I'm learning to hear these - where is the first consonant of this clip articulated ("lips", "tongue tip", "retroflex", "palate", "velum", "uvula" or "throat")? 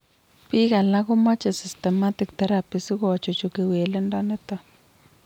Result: lips